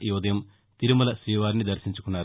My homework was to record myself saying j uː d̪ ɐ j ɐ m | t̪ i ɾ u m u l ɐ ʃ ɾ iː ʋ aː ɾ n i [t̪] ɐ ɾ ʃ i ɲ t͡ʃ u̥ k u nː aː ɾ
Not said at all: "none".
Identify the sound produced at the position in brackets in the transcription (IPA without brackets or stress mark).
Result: d̪